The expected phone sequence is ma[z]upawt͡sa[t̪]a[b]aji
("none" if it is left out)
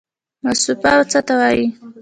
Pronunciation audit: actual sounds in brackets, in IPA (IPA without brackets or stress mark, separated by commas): s, t̪, w